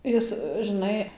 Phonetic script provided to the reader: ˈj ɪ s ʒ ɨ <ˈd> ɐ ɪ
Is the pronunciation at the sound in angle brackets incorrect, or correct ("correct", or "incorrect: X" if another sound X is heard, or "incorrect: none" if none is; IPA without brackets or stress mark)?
incorrect: n